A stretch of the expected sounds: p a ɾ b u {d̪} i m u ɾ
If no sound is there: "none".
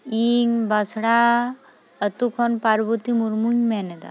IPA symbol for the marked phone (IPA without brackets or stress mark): t̪